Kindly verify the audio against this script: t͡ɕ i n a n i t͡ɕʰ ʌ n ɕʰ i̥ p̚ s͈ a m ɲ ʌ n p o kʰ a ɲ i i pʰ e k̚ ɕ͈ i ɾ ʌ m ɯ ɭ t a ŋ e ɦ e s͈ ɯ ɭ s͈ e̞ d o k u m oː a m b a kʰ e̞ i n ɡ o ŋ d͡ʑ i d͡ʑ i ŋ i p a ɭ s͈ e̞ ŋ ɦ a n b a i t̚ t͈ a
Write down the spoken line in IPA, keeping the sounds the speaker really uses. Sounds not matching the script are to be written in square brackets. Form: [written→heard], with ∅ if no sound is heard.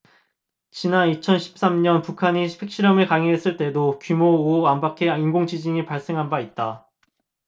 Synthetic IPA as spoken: t͡ɕ i n a n i t͡ɕʰ ʌ n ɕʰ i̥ p̚ s͈ a m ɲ ʌ n p [o→u] kʰ a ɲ i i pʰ e k̚ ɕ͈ i ɾ ʌ m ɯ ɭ [t→k] a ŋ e ɦ e s͈ ɯ ɭ [s͈→t͈] e̞ d o k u m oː a m b a kʰ e̞ i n ɡ o ŋ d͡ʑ i d͡ʑ i ŋ i p a ɭ s͈ e̞ ŋ ɦ a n b a i t̚ t͈ a